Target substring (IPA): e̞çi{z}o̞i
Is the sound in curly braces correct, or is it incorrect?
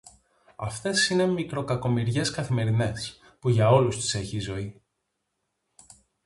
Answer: correct